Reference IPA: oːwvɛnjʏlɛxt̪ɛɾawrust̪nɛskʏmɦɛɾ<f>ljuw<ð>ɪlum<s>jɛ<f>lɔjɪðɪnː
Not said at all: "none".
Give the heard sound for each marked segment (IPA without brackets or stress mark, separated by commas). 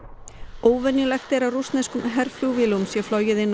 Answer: f, v, s, f